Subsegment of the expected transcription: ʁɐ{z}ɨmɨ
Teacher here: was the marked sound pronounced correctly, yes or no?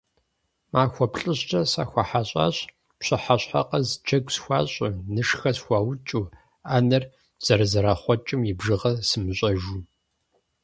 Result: no